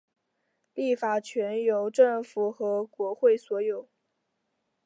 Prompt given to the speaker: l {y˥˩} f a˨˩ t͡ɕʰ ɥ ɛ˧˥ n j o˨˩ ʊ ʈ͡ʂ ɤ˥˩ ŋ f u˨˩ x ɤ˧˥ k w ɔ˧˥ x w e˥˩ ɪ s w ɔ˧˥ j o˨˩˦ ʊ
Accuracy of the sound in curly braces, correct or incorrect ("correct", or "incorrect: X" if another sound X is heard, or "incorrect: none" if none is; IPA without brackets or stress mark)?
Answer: incorrect: i˥˩